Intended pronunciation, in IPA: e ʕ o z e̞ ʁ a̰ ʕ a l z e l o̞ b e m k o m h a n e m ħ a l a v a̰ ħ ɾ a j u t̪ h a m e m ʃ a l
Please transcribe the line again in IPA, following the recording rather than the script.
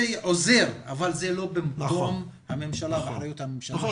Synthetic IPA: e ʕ o z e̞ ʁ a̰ v a l z e l o̞ b e m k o m h a m e m ʃ a l a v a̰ ħ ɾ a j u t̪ h a m e m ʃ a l